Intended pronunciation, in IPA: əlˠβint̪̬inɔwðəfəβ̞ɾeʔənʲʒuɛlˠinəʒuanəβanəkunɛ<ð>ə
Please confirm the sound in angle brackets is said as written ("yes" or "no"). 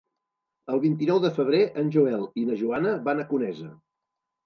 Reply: no